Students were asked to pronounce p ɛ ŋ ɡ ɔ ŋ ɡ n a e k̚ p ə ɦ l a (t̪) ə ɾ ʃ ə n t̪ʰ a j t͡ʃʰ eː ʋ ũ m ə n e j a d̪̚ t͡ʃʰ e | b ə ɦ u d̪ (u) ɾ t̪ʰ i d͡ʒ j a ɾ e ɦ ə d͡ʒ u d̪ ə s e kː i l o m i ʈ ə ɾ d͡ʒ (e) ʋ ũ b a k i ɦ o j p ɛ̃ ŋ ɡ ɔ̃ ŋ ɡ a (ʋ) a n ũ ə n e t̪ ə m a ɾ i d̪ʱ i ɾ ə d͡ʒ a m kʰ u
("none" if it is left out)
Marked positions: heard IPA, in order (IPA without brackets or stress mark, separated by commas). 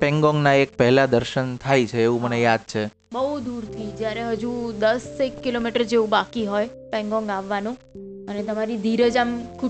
d̪, u, e, ʋː